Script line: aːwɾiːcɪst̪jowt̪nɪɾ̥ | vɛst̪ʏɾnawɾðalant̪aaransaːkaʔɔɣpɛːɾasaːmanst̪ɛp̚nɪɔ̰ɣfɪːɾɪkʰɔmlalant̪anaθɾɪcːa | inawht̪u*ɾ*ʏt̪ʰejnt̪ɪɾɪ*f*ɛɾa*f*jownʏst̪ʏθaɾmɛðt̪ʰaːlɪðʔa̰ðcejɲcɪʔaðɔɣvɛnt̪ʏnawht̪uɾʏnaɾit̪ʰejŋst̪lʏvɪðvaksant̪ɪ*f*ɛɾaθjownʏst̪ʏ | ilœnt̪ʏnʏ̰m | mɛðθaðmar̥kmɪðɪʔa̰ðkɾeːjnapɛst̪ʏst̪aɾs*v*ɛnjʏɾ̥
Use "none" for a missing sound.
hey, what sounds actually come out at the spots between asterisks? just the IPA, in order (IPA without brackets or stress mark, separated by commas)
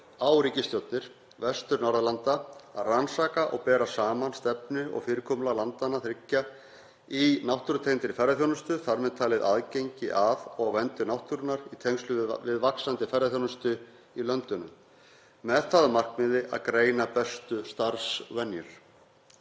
ɾ, f, θ, f, v